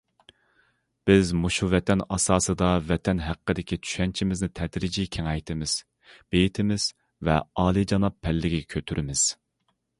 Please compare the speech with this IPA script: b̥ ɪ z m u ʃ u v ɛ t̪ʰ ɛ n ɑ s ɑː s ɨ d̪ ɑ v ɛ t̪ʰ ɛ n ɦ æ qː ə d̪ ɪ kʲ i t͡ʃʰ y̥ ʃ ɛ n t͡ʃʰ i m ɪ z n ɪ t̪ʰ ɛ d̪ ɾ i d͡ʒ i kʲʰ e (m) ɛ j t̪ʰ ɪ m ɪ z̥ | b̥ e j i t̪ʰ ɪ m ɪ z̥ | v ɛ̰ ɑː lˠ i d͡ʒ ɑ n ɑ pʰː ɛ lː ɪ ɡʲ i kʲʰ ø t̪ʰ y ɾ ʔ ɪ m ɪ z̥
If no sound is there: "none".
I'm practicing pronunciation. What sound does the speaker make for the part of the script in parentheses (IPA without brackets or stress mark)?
ŋ